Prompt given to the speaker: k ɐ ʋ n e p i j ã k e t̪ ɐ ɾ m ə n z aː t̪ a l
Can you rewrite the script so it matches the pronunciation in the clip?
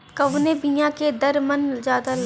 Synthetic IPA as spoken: k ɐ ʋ n e b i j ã k e d̪ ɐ ɾ m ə n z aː d̪ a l